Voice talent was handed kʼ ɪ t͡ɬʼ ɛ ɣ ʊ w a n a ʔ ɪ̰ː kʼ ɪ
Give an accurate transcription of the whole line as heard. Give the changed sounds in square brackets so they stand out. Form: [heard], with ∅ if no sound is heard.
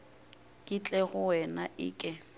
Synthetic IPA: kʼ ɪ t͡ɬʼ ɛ ɣ ʊ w [ɛ] n a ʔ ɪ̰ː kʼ ɪ